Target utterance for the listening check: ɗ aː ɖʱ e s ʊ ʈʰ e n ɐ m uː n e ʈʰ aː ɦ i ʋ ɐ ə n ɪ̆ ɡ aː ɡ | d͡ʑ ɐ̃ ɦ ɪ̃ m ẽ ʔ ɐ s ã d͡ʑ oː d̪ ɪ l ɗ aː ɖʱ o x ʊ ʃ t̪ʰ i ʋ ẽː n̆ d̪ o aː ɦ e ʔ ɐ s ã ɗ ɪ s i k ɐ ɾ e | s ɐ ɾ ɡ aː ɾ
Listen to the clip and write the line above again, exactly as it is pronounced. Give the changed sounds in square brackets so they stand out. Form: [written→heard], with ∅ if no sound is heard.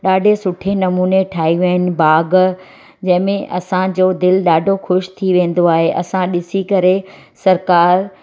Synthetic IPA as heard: ɗ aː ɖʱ e s ʊ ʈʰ e n ɐ m uː n e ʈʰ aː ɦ i ʋ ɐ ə n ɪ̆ [ɡ→b] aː ɡ | d͡ʑ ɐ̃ ɦ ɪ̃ m ẽ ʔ ɐ s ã d͡ʑ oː d̪ ɪ l ɗ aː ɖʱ o x ʊ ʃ t̪ʰ i ʋ ẽː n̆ d̪ o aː ɦ e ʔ ɐ s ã ɗ ɪ s i k ɐ ɾ e | s ɐ ɾ [ɡ→k] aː ɾ